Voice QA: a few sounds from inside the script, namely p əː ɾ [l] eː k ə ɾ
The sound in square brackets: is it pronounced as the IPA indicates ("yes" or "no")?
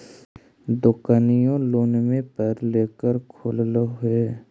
yes